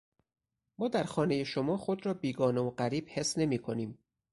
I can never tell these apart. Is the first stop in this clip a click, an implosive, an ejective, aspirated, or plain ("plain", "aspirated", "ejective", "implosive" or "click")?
plain